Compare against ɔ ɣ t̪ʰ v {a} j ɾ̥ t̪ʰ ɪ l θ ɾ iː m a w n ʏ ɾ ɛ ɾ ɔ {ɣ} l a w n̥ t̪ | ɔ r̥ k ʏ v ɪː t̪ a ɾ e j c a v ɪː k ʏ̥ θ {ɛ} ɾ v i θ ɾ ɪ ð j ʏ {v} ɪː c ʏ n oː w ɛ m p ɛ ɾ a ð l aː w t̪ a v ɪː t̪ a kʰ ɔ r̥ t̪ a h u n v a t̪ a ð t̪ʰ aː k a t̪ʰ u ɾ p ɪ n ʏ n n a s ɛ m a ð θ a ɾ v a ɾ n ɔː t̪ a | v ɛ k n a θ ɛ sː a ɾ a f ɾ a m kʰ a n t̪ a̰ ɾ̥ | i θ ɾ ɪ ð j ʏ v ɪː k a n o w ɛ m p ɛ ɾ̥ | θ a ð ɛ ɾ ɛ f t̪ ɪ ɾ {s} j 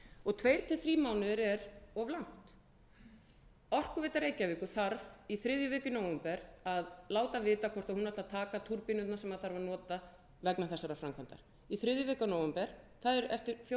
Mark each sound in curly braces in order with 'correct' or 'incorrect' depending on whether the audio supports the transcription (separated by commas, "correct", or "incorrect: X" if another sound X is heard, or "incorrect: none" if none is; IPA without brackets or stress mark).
incorrect: e, incorrect: v, incorrect: a, correct, incorrect: f